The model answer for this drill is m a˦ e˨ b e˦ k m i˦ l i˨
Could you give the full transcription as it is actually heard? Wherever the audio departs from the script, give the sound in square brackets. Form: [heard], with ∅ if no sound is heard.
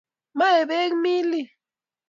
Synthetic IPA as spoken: m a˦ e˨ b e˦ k m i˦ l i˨